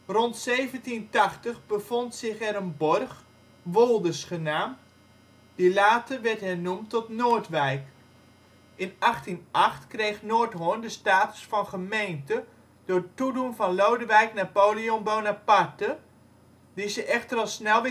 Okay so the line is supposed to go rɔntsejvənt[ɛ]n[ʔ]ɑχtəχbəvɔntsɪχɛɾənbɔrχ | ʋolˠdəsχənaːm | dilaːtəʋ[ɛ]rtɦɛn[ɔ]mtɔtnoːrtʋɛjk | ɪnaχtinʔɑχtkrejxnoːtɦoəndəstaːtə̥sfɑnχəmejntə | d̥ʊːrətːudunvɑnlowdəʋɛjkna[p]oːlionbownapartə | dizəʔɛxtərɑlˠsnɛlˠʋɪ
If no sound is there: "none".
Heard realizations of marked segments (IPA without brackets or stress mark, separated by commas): i, t, ɛ, u, p